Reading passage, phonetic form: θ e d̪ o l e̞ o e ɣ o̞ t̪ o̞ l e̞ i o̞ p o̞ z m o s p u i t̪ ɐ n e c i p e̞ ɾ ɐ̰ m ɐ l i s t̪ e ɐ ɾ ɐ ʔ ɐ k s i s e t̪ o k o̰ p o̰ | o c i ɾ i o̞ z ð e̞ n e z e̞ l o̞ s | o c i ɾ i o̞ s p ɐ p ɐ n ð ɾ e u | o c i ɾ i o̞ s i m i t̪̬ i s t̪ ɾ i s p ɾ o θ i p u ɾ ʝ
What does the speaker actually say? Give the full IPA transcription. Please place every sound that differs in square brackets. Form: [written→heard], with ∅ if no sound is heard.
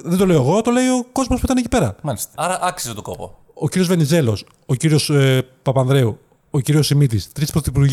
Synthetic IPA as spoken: [θ→ð] e d̪ o l e̞ o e ɣ o̞ t̪ o̞ l e̞ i o̞ [p→k] o̞ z m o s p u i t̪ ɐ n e c i p e̞ ɾ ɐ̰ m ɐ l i s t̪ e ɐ ɾ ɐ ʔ ɐ k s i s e t̪ o k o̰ p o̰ | o c i ɾ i o̞ z [ð→v] e̞ n [e→i] z e̞ l o̞ s | o c i ɾ i o̞ s p ɐ p ɐ n ð ɾ e u | o c i ɾ i o̞ s i m i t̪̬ i s t̪ ɾ i s p ɾ o θ i p u ɾ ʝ